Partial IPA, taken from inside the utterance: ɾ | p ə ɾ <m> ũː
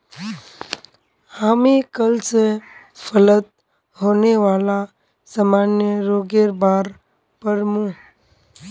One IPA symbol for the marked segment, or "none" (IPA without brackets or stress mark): m